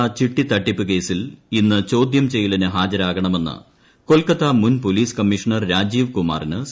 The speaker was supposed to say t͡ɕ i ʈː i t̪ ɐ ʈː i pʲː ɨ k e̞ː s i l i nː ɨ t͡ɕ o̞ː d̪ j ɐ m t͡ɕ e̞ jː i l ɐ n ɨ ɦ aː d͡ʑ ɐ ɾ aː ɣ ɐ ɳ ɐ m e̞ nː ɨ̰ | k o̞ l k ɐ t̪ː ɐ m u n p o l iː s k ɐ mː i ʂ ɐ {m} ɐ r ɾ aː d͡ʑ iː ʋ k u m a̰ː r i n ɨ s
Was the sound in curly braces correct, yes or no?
no